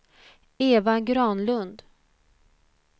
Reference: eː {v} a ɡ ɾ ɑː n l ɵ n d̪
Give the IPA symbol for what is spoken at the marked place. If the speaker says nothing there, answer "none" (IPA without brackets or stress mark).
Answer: v